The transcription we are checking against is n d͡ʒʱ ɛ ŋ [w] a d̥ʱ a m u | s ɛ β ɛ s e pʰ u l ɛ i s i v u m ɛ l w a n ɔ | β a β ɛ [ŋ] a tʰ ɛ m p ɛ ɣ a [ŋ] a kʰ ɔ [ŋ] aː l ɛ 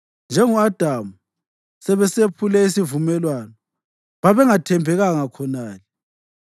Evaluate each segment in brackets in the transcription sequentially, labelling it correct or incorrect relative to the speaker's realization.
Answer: incorrect: u, correct, correct, incorrect: n

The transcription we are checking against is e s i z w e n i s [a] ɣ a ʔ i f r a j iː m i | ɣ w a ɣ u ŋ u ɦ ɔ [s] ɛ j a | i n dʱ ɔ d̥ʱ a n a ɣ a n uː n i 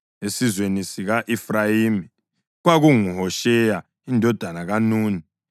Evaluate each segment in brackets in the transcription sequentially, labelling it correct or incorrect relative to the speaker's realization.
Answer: incorrect: i, incorrect: ʃ

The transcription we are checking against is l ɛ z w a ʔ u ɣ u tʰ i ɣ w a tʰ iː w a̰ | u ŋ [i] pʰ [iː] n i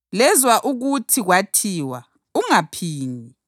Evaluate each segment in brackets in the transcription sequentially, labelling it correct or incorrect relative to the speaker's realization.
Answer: incorrect: a, correct

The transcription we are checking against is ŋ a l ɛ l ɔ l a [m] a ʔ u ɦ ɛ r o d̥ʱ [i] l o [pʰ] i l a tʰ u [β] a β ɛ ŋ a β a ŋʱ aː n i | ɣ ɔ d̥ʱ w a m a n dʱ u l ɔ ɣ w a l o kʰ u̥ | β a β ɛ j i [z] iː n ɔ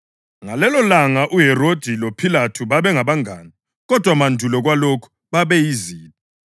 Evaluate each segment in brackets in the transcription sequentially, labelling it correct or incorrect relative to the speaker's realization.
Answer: incorrect: ŋ, correct, correct, correct, correct

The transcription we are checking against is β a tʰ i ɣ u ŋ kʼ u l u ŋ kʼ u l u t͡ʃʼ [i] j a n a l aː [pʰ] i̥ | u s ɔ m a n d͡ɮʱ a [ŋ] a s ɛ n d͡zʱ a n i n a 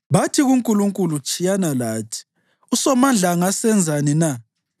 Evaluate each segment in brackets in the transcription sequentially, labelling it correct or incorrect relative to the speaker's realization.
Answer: correct, incorrect: tʰ, correct

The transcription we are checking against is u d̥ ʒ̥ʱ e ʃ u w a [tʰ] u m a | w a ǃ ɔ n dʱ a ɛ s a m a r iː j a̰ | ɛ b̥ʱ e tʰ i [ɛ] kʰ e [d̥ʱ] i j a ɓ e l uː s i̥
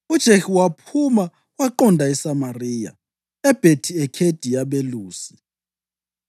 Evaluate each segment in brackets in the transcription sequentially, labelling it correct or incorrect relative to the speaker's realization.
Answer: incorrect: pʰ, correct, correct

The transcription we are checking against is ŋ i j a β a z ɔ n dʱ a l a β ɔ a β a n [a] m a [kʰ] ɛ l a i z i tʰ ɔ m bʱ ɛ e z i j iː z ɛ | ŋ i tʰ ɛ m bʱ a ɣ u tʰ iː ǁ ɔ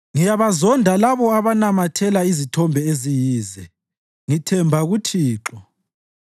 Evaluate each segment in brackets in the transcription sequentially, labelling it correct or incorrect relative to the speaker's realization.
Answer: correct, incorrect: tʰ

